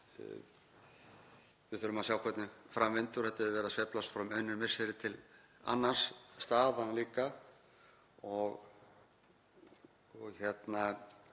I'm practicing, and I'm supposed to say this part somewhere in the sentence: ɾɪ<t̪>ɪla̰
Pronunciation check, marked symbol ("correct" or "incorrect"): incorrect